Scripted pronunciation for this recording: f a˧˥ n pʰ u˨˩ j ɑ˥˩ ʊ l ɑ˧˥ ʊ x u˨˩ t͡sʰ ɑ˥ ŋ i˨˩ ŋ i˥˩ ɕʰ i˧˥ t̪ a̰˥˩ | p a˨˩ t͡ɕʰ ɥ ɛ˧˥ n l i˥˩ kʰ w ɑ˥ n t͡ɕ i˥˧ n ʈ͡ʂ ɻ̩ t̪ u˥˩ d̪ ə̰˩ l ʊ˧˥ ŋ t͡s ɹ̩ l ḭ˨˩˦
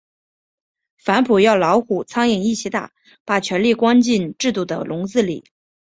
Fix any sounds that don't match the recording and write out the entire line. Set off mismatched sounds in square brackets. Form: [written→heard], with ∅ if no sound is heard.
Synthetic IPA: f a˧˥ n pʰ u˨˩ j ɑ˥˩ ʊ l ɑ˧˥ ʊ x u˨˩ t͡sʰ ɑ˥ ŋ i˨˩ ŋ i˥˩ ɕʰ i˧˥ t̪ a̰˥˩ | p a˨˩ t͡ɕʰ ɥ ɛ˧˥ n l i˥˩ [kʰ→k] w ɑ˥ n t͡ɕ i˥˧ n ʈ͡ʂ ɻ̩ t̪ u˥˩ d̪ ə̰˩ l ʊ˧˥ ŋ t͡s ɹ̩ l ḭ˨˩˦